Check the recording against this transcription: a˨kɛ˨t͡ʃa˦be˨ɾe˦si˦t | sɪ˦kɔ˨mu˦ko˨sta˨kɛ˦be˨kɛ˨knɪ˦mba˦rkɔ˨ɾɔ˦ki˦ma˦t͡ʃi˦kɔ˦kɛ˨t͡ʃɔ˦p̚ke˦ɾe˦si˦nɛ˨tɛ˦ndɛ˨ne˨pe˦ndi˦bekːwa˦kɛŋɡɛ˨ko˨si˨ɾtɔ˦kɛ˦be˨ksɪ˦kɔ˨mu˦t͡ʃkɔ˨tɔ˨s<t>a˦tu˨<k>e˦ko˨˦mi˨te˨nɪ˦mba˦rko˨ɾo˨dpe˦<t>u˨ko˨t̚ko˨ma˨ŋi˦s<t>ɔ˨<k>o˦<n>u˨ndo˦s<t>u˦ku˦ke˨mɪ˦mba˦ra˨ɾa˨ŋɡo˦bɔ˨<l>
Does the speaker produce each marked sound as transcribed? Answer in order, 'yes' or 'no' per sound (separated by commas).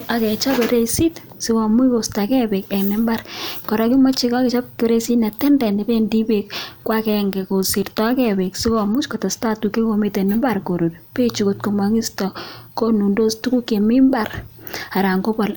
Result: yes, yes, no, yes, yes, yes, yes, yes